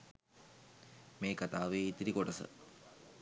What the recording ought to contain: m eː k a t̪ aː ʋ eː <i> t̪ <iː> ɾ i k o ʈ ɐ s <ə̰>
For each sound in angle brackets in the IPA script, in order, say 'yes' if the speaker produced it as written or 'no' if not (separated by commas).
yes, no, yes